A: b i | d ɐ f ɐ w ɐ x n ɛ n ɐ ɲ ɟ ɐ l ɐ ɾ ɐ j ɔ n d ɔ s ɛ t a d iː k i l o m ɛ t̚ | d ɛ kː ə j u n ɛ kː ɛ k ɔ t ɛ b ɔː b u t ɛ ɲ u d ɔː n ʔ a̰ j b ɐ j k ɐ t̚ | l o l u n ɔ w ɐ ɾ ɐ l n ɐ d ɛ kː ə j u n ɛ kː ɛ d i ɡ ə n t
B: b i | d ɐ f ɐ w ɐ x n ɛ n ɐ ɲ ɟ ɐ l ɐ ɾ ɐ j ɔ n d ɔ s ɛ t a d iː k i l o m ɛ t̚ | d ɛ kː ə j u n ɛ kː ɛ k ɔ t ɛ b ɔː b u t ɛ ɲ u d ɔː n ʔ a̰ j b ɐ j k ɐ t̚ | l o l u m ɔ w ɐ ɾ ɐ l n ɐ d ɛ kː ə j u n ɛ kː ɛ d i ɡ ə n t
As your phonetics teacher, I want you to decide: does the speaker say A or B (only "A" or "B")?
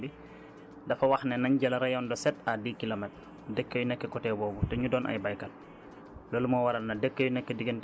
B